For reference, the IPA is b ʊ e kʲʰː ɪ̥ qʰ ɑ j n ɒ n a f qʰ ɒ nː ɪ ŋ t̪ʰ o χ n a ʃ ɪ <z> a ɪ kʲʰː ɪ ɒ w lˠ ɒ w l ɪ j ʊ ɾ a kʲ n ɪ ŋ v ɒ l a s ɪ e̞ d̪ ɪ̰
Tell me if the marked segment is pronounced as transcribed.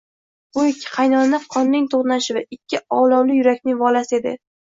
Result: no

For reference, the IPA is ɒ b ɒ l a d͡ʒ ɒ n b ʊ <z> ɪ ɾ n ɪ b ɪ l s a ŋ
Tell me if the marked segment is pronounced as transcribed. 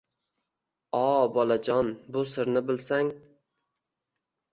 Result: no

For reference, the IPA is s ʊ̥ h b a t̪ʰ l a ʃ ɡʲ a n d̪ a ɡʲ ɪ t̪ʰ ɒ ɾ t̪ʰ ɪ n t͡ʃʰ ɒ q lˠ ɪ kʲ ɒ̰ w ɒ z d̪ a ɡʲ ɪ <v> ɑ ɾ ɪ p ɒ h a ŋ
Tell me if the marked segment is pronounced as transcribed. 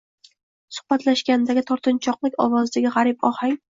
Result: no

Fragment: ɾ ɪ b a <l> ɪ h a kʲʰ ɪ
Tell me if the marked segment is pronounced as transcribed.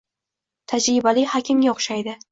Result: yes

